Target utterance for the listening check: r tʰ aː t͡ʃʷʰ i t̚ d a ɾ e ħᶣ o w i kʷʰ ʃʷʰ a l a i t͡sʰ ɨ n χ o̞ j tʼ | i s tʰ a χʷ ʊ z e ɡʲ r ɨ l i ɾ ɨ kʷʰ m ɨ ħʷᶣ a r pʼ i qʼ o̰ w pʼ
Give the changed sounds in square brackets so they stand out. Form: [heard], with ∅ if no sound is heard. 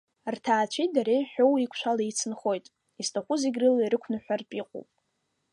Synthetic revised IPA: r tʰ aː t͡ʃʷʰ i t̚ d a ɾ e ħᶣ o w i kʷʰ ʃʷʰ a l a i t͡sʰ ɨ n χ o̞ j tʼ | i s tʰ a χʷ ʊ z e ɡʲ r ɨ l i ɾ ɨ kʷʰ [n] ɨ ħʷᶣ a r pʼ i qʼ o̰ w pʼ